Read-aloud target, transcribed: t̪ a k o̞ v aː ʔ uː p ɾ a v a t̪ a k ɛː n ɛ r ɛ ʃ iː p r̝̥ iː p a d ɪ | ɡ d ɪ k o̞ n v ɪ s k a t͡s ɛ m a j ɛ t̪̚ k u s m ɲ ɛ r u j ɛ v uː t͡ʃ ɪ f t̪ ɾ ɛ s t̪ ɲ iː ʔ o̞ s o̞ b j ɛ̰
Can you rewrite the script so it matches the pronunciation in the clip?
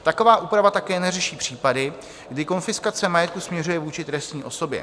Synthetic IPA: t̪ a k o̞ v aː ʔ uː p ɾ a v a t̪ a k ɛː n ɛ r ɛ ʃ iː p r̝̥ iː p a d ɪ | ɡ d ɪ k o̞ n f ɪ s k a t͡s ɛ m a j ɛ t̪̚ k u s m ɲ ɛ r u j ɛ v uː t͡ʃ ɪ t̪ ɾ ɛ s t̪ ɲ iː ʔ o̞ s o̞ b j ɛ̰